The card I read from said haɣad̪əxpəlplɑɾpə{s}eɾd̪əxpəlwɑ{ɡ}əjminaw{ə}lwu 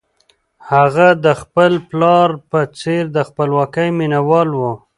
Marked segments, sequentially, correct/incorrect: incorrect: t͡s, incorrect: k, incorrect: ɑ

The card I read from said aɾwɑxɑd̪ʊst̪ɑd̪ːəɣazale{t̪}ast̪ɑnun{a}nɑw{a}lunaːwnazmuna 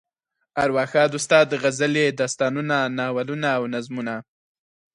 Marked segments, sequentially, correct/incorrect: incorrect: d̪, correct, correct

